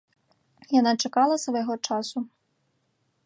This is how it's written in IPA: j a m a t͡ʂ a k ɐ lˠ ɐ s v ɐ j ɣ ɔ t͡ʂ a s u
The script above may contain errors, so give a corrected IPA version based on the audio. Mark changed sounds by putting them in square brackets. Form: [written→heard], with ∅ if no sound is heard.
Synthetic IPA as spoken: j a [m→n] a t͡ʂ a k [ɐ→a] lˠ ɐ s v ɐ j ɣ ɔ t͡ʂ a s u